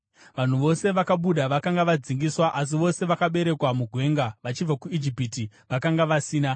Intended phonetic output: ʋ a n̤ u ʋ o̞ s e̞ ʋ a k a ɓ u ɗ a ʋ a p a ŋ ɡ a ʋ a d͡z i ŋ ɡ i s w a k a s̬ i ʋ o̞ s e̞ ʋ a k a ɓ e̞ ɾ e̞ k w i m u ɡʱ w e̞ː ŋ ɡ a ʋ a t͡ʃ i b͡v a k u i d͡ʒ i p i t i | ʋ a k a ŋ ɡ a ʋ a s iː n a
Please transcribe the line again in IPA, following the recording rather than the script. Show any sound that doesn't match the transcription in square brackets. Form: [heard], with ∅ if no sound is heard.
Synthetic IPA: ʋ a n̤ u ʋ o̞ s e̞ ʋ a k a ɓ u ɗ a ʋ a [k] a ŋ ɡ a ʋ a d͡z i ŋ ɡ i s w a [ʔ] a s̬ i ʋ o̞ s e̞ ʋ a k a ɓ e̞ ɾ e̞ k w [a] m u ɡʱ w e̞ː ŋ ɡ a ʋ a t͡ʃ i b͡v a k u i d͡ʒ i p i t i | ʋ a k a ŋ ɡ a ʋ a s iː n a